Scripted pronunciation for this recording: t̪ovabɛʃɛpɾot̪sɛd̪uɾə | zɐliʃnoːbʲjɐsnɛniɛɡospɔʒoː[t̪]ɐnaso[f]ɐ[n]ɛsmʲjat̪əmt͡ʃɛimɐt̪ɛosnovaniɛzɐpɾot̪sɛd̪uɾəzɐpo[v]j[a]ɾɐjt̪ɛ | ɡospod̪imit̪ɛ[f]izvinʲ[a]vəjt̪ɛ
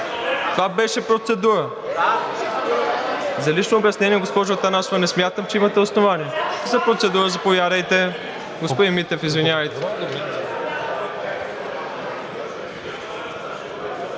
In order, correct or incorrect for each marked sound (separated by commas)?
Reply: correct, incorrect, correct, correct, correct, correct, correct